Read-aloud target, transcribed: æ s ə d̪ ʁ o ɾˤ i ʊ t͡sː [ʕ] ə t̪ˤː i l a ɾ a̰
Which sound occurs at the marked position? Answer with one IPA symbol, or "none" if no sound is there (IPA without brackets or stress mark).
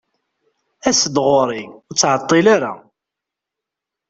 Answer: ʕ